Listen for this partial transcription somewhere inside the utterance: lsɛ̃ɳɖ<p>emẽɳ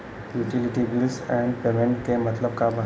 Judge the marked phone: correct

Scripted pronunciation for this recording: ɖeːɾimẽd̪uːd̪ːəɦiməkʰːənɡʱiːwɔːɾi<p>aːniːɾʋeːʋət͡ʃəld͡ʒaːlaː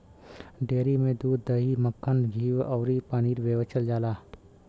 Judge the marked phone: correct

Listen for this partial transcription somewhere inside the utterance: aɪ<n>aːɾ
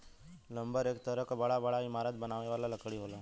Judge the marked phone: incorrect: m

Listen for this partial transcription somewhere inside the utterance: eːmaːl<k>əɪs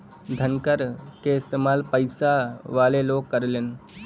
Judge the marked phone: incorrect: p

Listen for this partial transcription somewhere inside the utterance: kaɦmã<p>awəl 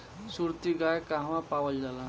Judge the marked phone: correct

